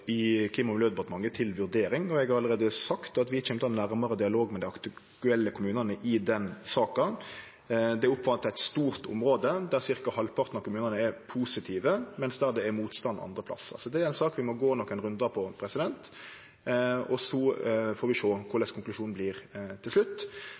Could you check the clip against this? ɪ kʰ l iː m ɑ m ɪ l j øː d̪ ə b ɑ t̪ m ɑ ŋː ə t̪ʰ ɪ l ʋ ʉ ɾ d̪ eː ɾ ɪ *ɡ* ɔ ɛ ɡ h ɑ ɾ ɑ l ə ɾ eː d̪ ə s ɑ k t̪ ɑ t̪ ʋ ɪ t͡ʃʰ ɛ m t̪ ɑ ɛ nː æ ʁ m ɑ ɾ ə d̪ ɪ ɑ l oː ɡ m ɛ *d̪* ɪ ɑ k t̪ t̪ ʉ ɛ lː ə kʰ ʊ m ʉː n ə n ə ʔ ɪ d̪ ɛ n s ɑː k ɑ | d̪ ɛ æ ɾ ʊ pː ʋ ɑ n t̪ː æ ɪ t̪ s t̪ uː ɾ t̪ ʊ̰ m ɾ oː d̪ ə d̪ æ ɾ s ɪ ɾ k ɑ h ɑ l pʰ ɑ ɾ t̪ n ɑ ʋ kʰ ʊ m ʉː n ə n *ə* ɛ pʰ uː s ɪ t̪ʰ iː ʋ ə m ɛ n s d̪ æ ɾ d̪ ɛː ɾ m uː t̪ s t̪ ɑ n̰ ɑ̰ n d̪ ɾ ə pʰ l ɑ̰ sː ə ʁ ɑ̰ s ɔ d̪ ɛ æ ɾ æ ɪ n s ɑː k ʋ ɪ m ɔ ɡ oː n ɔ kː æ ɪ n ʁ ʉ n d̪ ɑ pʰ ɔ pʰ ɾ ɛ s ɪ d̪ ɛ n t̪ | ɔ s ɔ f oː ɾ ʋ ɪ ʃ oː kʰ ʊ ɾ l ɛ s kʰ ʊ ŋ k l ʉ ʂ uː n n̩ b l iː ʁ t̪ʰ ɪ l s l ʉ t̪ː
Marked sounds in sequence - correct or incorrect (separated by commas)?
incorrect, correct, correct